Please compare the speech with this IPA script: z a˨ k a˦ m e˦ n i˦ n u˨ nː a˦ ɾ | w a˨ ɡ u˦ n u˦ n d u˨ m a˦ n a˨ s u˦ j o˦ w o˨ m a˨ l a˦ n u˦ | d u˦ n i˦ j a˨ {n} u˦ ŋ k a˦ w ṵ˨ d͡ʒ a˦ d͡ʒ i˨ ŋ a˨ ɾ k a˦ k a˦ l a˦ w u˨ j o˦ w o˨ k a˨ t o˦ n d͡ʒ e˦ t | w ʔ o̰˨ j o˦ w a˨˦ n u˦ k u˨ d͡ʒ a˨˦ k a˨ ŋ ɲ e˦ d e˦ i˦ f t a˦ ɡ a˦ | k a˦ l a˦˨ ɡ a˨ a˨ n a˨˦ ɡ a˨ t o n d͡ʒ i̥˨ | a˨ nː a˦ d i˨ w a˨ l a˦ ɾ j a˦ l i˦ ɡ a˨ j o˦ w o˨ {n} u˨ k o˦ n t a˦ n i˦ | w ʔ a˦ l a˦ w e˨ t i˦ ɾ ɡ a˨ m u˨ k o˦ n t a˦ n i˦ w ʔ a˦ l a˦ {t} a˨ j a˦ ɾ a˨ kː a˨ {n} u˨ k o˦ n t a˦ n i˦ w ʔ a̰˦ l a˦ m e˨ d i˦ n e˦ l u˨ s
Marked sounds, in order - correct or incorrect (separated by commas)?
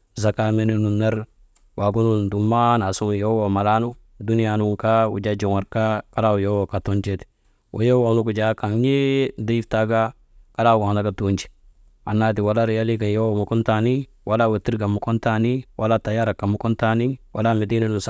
correct, incorrect, correct, incorrect